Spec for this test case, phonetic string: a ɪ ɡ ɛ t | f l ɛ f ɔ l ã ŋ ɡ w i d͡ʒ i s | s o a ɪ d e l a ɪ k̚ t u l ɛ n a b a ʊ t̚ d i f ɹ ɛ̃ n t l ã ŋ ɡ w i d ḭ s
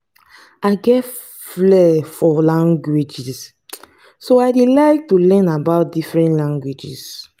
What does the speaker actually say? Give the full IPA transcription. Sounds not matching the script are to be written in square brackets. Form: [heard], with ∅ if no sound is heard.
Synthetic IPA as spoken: a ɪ ɡ ɛ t | f l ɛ f ɔ l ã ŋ ɡ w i d͡ʒ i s | s o a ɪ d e l a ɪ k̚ t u l ɛ n a b a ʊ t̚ d i f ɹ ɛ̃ n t l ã ŋ ɡ w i [d͡ʒ] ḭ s